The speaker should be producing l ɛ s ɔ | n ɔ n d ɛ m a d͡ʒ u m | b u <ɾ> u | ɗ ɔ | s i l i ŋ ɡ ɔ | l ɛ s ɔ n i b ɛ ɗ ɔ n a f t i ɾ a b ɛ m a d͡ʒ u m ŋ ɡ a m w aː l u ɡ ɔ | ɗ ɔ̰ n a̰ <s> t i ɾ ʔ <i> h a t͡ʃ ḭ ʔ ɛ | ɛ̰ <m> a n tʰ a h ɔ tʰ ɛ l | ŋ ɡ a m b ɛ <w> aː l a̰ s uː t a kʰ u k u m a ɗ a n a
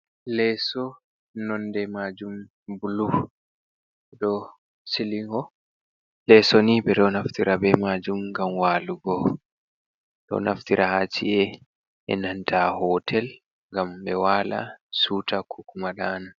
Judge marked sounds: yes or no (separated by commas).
no, no, no, no, yes